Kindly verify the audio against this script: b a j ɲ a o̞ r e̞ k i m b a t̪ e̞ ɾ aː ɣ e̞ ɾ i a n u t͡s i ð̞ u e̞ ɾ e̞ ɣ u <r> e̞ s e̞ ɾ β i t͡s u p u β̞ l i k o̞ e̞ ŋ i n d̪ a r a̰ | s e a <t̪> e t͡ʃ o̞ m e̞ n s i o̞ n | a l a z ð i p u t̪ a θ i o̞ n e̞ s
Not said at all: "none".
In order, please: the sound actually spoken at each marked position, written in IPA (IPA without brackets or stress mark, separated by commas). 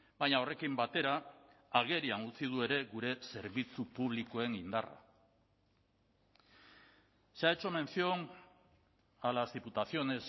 ɾ, none